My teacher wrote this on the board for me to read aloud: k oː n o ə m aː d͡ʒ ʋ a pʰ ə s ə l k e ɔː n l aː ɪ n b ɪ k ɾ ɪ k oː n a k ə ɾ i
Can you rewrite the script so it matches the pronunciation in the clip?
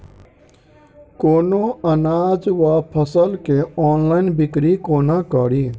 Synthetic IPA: k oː n o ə n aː d͡ʒ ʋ a pʰ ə s ə l k e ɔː n l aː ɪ n b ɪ k ɾ i k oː n a k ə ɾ i